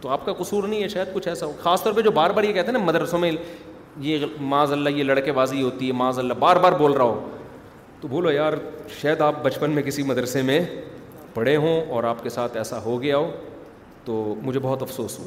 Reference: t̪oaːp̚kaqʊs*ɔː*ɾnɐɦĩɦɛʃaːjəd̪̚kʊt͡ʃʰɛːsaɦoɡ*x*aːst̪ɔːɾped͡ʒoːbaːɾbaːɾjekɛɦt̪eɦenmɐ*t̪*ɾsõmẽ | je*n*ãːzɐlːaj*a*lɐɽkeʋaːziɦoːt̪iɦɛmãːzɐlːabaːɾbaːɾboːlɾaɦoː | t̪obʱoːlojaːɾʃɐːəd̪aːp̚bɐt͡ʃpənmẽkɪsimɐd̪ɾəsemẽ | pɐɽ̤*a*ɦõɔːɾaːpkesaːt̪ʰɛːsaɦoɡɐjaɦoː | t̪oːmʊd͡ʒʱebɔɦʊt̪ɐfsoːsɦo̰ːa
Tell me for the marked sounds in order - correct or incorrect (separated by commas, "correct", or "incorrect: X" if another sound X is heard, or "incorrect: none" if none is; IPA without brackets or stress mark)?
incorrect: uː, correct, incorrect: d̪, incorrect: m, incorrect: e, incorrect: e